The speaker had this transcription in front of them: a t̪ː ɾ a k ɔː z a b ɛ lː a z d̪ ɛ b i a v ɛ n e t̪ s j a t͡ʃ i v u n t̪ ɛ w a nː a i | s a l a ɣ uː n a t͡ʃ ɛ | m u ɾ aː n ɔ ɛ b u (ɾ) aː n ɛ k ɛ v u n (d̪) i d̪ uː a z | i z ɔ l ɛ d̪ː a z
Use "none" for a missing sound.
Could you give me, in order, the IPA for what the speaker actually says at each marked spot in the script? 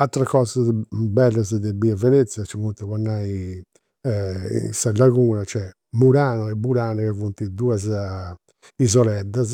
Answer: ɾ, t̪

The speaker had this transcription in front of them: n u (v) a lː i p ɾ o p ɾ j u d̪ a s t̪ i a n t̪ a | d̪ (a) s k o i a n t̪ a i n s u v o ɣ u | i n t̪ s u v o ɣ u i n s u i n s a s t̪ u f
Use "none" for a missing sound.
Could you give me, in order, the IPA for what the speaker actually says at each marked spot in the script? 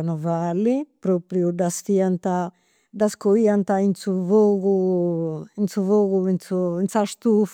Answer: v, a

